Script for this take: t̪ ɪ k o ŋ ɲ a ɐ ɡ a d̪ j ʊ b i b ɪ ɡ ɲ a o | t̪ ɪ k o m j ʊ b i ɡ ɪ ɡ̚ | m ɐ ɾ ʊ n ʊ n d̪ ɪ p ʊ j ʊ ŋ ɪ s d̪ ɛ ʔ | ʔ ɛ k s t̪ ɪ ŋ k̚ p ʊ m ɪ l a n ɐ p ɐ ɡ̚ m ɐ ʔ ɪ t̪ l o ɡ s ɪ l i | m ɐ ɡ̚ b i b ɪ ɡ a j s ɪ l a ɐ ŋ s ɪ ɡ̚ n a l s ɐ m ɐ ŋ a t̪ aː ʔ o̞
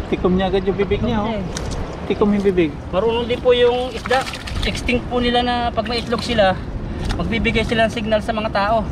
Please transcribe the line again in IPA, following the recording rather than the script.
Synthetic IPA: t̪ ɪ k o m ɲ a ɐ ɡ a d̪ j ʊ b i b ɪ ɡ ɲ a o | t̪ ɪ k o m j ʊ b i b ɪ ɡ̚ | m ɐ ɾ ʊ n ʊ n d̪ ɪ p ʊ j ʊ ŋ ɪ s d̪ a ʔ | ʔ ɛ k s t̪ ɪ ŋ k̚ p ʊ n ɪ l a n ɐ p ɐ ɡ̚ m ɐ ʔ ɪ t̪ l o ɡ s ɪ l a | m ɐ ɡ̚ b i b ɪ ɡ a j s ɪ l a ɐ ŋ s ɪ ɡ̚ n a l s ɐ m ɐ ŋ a t̪ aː ʔ o̞